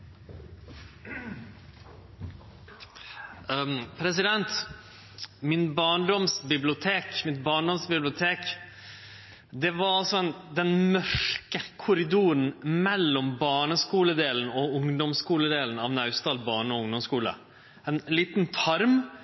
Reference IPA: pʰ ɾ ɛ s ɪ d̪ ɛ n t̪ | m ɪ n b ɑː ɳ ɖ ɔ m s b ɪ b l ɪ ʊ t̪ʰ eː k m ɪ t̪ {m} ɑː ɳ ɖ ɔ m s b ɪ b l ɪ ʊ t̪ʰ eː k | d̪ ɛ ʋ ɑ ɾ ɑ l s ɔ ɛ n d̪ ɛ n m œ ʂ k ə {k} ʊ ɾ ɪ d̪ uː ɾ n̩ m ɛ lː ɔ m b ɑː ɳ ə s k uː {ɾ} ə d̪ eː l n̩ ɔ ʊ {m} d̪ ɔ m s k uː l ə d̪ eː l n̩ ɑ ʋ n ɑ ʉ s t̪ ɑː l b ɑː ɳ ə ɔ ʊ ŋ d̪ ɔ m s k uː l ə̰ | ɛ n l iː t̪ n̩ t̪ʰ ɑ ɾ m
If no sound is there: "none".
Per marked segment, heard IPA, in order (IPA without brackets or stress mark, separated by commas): b, kʰ, l, ŋ